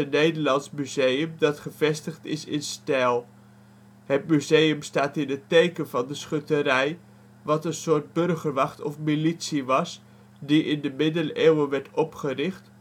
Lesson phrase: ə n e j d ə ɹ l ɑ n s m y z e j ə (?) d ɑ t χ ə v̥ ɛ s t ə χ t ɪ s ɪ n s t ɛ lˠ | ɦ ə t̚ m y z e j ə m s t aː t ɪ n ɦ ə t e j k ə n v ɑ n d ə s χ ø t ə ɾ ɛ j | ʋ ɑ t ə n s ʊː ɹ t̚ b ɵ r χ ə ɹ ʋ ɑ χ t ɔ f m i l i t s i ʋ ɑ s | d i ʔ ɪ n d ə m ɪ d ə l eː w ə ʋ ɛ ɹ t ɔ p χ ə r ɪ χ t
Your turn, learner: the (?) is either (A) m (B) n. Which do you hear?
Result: A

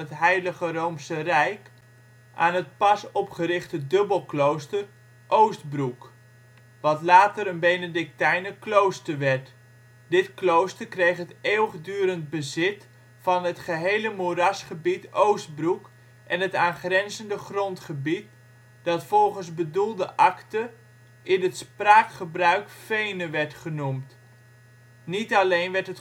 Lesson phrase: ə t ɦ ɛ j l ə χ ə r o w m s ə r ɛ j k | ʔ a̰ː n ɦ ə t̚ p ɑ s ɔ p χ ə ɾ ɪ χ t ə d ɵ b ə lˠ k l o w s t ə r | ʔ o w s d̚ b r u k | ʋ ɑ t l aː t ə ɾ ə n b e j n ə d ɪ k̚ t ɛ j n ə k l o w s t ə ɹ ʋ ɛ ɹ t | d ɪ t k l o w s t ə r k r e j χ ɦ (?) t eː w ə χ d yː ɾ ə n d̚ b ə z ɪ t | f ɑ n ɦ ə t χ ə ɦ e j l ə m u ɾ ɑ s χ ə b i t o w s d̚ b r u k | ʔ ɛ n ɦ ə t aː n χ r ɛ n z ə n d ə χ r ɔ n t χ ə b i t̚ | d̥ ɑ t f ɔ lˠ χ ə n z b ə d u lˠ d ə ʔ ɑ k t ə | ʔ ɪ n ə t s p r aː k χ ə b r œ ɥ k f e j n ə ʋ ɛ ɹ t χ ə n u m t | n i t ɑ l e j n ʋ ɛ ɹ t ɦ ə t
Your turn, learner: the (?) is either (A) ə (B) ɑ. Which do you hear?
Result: A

